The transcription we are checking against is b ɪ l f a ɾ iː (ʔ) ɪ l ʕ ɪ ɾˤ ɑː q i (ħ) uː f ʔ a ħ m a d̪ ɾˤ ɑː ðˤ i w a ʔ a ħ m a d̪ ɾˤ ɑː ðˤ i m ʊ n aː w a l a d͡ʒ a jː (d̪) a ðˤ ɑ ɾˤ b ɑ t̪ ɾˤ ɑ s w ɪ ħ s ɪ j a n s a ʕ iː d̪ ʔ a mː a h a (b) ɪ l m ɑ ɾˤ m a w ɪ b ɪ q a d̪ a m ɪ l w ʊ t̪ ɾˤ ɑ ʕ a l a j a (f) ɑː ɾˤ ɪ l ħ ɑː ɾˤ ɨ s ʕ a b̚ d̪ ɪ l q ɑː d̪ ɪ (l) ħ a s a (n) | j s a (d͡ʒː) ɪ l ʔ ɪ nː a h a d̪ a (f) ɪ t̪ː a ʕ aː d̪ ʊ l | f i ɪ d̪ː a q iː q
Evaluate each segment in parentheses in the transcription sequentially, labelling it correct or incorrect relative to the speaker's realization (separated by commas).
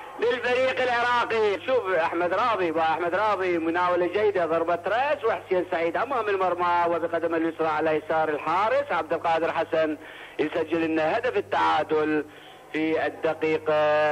incorrect, incorrect, correct, incorrect, incorrect, incorrect, correct, correct, correct